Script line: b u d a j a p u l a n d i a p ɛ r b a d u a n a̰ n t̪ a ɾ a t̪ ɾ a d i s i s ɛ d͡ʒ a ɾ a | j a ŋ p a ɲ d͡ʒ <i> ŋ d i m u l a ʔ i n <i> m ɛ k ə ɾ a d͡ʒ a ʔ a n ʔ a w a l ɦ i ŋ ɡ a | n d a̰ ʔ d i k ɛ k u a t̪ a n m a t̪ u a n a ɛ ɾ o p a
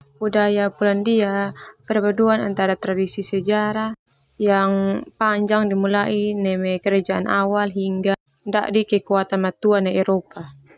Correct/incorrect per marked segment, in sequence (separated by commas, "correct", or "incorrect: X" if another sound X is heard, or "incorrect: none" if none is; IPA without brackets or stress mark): incorrect: a, incorrect: ɛ